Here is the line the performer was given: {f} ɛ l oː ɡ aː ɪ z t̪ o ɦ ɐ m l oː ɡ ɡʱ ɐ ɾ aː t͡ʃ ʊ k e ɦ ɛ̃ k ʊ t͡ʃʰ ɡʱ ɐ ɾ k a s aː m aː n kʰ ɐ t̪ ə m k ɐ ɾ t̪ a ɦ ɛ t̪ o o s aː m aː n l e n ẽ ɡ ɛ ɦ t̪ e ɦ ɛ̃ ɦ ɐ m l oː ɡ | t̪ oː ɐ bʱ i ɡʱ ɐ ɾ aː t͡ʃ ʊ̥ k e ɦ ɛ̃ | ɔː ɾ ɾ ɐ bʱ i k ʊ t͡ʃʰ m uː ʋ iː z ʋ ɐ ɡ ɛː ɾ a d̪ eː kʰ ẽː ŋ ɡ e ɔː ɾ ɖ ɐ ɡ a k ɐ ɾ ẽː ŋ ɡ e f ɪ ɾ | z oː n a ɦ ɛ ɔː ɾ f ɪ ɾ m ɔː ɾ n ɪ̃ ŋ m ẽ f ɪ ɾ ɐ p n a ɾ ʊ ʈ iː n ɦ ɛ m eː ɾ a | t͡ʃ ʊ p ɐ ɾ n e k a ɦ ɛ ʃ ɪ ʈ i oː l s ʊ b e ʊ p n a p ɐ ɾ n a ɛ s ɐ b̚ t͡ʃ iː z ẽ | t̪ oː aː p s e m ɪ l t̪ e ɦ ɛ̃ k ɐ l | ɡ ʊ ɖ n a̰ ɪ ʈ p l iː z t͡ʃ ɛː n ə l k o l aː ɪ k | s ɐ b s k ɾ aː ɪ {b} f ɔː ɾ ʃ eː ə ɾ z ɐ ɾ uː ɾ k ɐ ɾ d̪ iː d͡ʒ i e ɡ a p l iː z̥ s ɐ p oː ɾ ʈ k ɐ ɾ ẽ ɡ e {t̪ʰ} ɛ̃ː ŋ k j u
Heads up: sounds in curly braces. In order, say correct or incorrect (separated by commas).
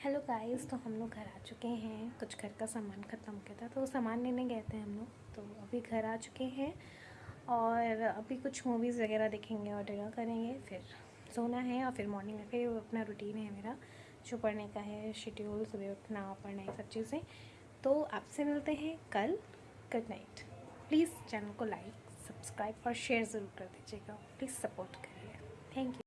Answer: incorrect, correct, correct